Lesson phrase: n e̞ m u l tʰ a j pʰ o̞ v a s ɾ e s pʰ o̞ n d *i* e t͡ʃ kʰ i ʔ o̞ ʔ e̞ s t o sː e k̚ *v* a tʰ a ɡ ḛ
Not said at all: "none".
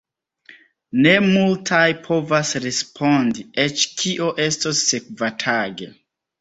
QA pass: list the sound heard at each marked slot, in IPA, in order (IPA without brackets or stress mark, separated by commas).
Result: i, v